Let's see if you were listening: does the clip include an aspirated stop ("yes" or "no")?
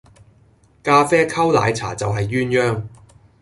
yes